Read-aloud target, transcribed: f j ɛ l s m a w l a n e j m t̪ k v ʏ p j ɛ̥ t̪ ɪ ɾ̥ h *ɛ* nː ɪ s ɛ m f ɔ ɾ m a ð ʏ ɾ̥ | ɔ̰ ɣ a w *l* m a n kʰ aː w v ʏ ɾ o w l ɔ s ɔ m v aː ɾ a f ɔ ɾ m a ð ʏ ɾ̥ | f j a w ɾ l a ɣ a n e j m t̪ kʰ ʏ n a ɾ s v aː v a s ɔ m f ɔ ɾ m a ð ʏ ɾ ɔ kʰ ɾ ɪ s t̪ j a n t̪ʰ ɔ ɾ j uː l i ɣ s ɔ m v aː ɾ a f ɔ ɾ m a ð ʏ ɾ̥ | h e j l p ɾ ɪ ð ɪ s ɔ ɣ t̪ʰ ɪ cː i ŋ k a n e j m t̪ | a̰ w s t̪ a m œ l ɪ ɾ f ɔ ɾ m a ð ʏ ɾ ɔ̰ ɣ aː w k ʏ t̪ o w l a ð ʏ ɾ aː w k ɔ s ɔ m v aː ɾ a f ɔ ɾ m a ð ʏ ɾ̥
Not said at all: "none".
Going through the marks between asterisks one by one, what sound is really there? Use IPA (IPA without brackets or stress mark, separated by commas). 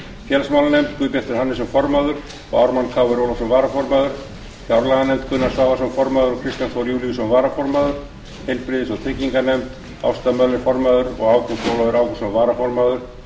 a, ɾ